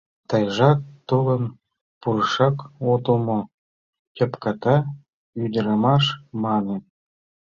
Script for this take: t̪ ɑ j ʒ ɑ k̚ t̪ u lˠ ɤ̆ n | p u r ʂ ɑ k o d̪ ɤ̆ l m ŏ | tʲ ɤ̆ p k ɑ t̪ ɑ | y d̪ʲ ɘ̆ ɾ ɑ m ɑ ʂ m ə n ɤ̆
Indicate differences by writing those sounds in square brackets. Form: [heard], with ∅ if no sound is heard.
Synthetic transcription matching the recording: t̪ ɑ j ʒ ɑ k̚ t̪ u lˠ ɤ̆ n | p u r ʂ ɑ k o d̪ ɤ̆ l m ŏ | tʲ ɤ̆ p k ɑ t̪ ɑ | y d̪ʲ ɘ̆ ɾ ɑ m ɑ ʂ m [ɑ] n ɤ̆